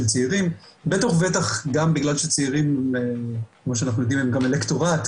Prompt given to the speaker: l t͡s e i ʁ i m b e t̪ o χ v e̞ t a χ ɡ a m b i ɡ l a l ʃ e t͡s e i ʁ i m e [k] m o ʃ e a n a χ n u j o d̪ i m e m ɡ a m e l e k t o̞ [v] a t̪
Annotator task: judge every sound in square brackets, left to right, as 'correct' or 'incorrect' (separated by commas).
correct, incorrect